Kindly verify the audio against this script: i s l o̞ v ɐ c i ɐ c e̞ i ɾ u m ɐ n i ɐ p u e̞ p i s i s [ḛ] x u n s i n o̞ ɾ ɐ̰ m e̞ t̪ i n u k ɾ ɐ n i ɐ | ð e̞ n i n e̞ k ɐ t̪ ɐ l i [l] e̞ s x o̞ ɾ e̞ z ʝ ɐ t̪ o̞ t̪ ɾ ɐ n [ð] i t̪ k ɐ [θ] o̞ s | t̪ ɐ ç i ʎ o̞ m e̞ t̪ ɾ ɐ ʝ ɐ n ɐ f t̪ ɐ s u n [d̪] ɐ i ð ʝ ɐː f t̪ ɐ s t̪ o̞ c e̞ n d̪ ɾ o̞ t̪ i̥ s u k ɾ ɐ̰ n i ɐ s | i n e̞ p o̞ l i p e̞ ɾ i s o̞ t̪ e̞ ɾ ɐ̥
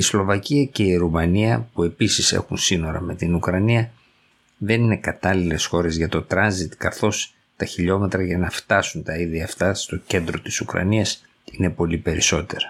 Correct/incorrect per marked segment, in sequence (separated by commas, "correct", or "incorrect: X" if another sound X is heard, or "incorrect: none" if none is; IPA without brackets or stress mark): correct, correct, incorrect: z, correct, incorrect: t̪